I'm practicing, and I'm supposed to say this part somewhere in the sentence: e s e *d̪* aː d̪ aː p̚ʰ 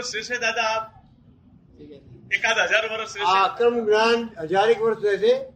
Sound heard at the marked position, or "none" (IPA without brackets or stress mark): d̪